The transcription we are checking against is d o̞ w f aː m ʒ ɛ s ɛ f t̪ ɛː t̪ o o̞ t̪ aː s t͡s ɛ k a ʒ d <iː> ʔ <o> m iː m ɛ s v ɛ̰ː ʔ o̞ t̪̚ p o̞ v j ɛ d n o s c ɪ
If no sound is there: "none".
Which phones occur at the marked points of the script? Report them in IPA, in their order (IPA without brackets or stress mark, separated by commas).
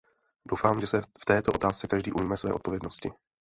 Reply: iː, u